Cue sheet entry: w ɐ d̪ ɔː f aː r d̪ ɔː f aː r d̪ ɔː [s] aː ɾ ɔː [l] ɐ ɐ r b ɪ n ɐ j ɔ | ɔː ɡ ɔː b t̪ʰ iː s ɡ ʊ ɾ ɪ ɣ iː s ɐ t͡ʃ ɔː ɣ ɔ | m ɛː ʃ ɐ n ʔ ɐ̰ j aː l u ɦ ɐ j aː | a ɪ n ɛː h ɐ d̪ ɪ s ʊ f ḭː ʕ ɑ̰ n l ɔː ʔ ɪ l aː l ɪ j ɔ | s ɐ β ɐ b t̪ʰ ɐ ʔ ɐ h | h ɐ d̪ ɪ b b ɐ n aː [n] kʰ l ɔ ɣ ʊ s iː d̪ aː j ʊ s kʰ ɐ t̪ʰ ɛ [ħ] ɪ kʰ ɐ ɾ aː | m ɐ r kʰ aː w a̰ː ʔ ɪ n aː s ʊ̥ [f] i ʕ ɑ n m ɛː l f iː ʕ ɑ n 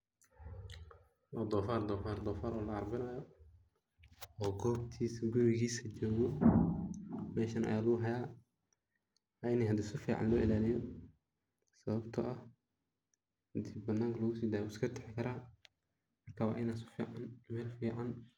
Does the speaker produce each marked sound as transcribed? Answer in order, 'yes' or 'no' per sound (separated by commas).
no, yes, no, yes, yes